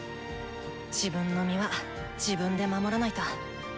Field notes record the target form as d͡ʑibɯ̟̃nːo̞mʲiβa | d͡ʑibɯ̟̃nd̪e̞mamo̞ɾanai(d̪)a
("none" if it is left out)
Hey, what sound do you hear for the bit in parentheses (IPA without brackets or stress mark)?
t̪